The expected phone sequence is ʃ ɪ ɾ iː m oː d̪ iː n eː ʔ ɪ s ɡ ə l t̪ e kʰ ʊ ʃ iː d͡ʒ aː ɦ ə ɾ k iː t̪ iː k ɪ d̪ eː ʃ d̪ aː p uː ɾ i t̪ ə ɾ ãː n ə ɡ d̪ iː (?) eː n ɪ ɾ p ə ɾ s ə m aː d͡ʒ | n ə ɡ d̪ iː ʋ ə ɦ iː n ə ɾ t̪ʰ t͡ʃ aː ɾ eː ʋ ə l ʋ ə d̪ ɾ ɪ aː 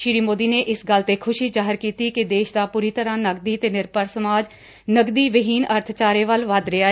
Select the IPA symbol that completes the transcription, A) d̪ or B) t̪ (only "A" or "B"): B